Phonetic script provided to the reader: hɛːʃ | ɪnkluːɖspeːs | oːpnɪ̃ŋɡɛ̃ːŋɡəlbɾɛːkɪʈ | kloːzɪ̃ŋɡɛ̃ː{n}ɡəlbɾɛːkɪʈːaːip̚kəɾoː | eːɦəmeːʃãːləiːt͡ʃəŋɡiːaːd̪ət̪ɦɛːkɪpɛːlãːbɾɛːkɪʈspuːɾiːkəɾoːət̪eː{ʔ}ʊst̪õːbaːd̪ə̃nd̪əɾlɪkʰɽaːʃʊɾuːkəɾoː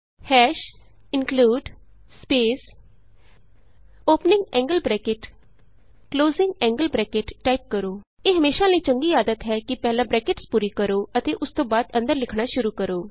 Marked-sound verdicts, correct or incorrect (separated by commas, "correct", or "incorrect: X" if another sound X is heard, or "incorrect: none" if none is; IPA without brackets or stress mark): incorrect: ŋ, correct